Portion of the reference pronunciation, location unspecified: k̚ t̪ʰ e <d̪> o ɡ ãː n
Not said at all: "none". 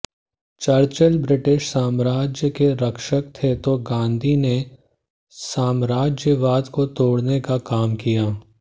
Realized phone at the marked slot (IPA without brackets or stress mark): t̪